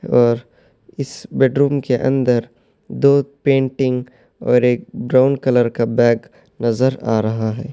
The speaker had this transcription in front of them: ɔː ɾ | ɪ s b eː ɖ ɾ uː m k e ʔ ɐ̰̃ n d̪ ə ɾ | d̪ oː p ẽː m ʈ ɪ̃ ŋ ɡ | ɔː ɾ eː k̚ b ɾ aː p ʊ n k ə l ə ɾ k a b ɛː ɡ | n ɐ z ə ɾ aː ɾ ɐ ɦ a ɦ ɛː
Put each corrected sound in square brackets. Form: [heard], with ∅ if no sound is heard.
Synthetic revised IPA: ɔː ɾ | ɪ s b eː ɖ ɾ uː m k e ʔ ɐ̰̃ n d̪ ə ɾ | d̪ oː p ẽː [ɳ] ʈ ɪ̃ ŋ ɡ | ɔː ɾ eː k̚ b ɾ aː [∅] ʊ n k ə l ə ɾ k a b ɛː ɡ | n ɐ z ə ɾ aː ɾ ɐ ɦ a ɦ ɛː